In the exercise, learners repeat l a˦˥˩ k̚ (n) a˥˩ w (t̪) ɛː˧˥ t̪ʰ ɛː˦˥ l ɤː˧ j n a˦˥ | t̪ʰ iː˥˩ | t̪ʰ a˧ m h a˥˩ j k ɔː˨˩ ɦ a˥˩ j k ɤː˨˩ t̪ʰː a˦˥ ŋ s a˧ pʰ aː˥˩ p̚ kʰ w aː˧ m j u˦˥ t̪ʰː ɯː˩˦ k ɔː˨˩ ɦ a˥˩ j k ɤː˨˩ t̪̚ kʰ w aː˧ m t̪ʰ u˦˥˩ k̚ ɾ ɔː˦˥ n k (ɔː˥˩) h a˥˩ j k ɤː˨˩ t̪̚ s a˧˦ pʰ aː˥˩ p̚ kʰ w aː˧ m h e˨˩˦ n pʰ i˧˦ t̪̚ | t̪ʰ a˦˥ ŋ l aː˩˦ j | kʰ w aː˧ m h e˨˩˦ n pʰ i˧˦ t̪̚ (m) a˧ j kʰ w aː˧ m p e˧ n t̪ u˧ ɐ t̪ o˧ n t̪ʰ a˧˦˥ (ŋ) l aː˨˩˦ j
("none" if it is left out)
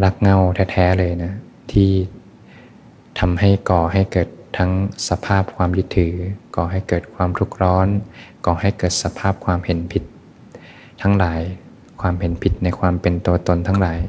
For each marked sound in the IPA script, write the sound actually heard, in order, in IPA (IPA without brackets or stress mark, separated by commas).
ŋ, t̪ʰ, ɔː˨˩, n, ŋ